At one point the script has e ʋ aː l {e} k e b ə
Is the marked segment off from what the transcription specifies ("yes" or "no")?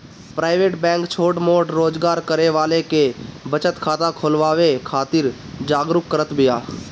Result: no